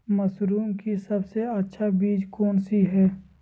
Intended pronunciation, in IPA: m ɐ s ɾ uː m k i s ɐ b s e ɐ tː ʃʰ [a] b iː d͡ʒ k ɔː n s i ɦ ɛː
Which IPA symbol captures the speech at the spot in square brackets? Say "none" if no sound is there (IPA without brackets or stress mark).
a